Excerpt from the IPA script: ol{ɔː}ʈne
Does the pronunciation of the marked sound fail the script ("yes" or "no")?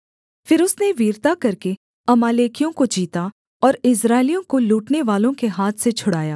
yes